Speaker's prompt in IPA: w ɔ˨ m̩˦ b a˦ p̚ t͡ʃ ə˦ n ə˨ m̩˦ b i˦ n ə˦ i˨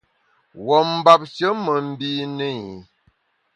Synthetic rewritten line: w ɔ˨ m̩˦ b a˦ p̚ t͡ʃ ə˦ m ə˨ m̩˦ b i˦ n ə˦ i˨